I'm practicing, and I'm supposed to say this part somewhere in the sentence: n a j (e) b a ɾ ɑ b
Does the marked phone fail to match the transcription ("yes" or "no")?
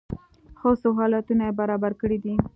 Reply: no